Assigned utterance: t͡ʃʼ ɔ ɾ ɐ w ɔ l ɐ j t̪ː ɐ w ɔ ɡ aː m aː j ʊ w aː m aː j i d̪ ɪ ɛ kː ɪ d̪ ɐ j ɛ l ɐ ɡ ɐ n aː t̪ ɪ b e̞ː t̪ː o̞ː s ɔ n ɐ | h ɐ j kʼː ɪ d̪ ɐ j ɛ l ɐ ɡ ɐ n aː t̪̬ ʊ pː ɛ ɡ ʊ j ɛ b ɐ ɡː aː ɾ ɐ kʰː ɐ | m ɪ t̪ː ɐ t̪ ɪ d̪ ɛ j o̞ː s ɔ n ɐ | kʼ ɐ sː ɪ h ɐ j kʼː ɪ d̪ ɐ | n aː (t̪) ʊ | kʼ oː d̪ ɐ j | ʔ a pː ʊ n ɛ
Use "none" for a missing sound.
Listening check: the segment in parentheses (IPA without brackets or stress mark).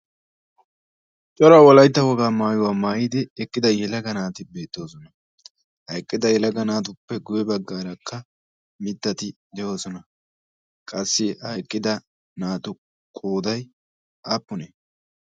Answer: t̪